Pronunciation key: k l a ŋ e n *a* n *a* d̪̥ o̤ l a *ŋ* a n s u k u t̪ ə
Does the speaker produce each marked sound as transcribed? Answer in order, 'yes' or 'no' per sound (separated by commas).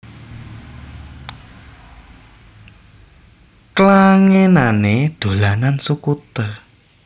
yes, no, no